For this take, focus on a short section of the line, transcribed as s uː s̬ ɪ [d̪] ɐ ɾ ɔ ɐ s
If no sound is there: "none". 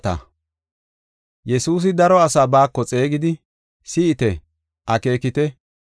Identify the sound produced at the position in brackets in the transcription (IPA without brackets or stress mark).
d̪